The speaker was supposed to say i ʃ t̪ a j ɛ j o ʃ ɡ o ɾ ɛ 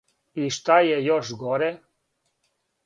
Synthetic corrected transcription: i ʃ t̪ a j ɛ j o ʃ ɡ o ɾ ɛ